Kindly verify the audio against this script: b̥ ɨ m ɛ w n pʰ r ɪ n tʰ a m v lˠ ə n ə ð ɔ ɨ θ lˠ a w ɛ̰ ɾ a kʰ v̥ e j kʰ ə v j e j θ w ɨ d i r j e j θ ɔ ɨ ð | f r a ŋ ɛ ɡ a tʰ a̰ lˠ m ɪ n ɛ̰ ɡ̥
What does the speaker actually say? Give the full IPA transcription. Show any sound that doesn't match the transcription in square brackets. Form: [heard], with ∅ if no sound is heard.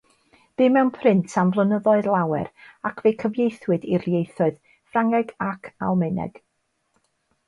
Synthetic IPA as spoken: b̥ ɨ m ɛ w n pʰ r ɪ n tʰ a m v lˠ ə n ə ð ɔ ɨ [ð] lˠ a w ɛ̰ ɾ a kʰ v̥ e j kʰ ə v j e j θ w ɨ d i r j e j θ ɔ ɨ ð | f r a ŋ ɛ ɡ a [kʰ] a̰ lˠ m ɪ n ɛ̰ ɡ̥